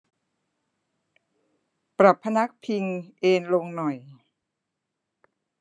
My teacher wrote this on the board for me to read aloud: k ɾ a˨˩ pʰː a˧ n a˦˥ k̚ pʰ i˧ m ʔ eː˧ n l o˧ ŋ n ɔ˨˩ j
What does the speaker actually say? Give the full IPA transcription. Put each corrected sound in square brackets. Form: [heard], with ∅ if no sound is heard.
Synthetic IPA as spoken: [p] ɾ a˨˩ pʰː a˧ n a˦˥ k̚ pʰ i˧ [ŋ] ʔ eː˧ n l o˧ ŋ n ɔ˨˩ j